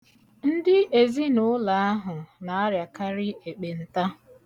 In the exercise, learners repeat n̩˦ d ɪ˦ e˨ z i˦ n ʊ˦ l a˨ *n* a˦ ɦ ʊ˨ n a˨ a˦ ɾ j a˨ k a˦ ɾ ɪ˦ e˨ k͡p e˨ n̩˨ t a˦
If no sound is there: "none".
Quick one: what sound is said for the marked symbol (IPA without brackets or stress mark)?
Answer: none